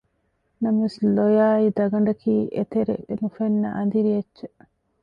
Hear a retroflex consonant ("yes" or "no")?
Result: yes